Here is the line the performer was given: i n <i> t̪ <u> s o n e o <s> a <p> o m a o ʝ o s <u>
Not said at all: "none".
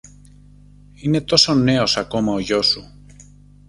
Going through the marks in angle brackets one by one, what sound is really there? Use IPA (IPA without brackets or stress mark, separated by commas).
e, o, s, k, u